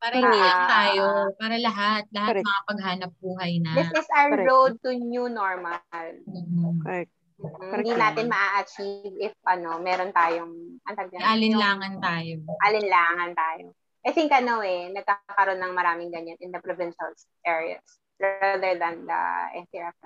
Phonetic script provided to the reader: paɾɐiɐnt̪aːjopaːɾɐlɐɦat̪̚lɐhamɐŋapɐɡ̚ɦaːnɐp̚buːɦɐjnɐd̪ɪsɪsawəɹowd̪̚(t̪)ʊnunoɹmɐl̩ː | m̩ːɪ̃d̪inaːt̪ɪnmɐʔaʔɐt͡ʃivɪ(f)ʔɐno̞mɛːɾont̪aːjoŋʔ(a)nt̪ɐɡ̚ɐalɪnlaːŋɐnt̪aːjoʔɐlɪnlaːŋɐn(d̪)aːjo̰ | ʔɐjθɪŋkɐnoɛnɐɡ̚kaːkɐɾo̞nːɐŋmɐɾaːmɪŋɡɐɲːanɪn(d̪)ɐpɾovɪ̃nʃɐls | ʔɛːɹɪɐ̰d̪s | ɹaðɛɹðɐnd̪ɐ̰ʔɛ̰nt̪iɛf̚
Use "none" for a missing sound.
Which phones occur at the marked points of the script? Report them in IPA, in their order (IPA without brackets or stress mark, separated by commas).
t̪, f, ɐ, t̪, d̪